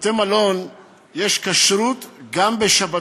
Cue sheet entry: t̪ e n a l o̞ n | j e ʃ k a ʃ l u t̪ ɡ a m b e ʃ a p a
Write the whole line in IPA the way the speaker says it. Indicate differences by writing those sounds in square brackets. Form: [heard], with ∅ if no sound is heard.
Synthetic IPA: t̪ e [m] a l o̞ n | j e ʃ k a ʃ [ɾ] u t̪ ɡ a m b e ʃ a [b] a